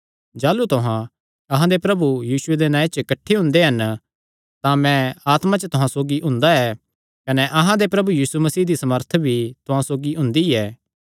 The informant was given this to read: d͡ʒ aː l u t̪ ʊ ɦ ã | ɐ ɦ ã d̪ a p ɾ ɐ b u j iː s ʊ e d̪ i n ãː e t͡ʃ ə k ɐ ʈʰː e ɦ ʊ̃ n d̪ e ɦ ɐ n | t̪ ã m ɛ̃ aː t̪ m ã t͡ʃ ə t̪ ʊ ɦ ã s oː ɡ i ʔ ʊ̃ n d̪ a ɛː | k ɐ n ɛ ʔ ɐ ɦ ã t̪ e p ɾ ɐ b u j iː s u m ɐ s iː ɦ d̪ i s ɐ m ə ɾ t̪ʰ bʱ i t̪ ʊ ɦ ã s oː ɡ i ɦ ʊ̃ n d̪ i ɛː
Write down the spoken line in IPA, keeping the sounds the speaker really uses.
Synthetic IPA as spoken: d͡ʒ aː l u t̪ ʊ ɦ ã | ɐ ɦ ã d̪ e p ɾ ɐ b u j iː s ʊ e d̪ e n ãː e t͡ʃ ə k ɐ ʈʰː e ɦ ʊ̃ n d̪ e ɦ ɐ n | t̪ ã m ɛ̃ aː t̪ m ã t͡ʃ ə t̪ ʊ ɦ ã s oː ɡ i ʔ ʊ̃ n d̪ a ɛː | k ɐ n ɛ ʔ ɐ ɦ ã d̪ e p ɾ ɐ b u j iː s u m ɐ s iː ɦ d̪ i s ɐ m ə ɾ t̪ʰ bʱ i t̪ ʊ ɦ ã s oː ɡ i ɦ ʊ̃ n d̪ i ɛː